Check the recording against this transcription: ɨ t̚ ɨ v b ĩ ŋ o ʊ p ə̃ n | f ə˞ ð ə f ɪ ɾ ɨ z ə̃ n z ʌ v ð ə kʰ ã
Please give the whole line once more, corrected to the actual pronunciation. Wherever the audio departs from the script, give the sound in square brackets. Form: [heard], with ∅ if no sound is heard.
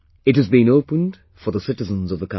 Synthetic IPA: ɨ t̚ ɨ [z] b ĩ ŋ o ʊ p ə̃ n | f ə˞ ð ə [s] ɪ ɾ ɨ z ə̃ n z ʌ v ð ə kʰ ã